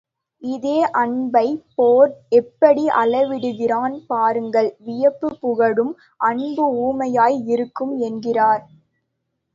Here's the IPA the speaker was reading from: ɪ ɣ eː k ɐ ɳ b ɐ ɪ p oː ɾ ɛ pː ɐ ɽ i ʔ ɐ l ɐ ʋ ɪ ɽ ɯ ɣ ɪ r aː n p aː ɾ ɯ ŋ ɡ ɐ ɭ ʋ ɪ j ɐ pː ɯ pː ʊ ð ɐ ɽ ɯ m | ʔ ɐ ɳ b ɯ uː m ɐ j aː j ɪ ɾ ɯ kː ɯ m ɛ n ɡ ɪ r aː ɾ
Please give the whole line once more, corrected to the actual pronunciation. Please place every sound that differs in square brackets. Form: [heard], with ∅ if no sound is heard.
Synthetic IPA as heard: ɪ [ð] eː [ʔ] ɐ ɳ b ɐ ɪ p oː ɾ ɛ pː ɐ ɽ i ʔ ɐ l ɐ ʋ ɪ ɽ ɯ ɣ ɪ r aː n p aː ɾ ɯ ŋ ɡ ɐ ɭ ʋ ɪ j ɐ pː ɯ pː ʊ [ɣ] ɐ ɽ ɯ m | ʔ ɐ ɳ b ɯ uː m ɐ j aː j ɪ ɾ ɯ kː ɯ m ɛ n ɡ ɪ r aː ɾ